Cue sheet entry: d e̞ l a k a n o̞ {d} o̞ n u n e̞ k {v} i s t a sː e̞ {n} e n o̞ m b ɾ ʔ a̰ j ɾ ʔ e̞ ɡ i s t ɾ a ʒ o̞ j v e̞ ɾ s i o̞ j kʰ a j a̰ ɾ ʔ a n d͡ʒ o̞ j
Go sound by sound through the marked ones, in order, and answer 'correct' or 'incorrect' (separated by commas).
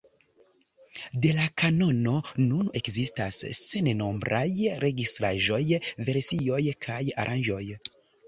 incorrect, incorrect, correct